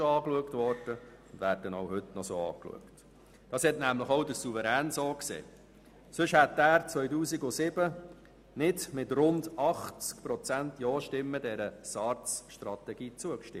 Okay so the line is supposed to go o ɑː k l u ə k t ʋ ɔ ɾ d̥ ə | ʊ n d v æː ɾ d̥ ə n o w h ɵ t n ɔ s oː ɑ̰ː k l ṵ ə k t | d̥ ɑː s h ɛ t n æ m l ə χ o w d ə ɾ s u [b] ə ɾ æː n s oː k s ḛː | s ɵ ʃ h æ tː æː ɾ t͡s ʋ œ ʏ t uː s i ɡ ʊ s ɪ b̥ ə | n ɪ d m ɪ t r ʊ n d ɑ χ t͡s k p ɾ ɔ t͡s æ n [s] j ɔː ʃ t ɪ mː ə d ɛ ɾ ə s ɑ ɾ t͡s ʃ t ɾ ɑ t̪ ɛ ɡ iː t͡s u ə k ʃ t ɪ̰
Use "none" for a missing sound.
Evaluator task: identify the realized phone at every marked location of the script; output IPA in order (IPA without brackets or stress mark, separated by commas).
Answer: v, t